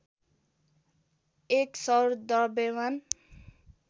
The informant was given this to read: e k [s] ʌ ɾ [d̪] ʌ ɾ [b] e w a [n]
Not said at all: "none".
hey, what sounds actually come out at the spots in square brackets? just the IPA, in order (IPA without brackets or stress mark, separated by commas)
s, d̪, b, n